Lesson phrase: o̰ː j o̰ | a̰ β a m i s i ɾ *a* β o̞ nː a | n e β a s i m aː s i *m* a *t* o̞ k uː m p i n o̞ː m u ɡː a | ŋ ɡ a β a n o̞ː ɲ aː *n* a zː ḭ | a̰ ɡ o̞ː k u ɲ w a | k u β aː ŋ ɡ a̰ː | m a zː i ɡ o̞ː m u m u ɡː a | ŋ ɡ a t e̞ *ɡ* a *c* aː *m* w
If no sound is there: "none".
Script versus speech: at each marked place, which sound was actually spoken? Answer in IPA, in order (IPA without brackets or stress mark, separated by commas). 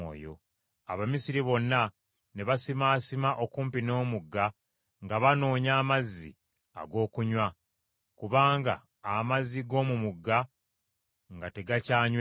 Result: i, m, ʔ, m, ɡ, c, ɲ